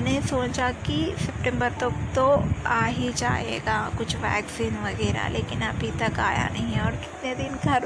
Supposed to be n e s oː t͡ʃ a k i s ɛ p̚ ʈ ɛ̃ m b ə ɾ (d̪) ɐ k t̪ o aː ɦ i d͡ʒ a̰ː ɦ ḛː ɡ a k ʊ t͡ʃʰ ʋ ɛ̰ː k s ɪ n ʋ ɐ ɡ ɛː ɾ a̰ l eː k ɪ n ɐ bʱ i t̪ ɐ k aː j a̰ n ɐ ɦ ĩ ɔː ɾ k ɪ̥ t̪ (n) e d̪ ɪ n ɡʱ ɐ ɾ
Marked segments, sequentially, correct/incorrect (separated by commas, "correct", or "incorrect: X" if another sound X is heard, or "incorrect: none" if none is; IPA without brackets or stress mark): incorrect: t̪, correct